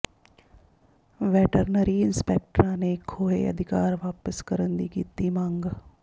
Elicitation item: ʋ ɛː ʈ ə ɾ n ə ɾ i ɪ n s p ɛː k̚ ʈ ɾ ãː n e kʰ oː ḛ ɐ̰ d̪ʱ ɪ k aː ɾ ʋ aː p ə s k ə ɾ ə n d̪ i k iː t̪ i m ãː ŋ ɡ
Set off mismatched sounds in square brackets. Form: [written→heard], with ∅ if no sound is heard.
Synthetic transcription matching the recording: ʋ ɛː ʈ ə ɾ n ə ɾ i ɪ n s p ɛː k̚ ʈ ɾ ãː n e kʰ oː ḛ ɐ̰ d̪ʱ ɪ k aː ɾ ʋ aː p ə s k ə ɾ ə n d̪ i k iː t̪ i m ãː ŋ ɡ